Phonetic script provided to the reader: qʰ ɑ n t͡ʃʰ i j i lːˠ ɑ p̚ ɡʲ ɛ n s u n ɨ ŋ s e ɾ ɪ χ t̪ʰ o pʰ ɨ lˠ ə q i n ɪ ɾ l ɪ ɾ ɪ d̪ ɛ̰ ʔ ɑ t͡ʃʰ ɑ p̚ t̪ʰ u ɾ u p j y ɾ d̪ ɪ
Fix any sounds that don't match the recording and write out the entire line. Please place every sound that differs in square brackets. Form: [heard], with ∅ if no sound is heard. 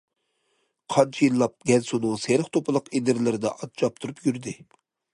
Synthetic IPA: qʰ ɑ n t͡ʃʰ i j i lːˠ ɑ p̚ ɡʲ ɛ n s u n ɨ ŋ s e ɾ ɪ χ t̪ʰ o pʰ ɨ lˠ ə q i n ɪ ɾ l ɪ ɾ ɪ d̪ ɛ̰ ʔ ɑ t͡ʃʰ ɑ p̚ t̪ʰ u ɾ u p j y ɾ d̪ ɪ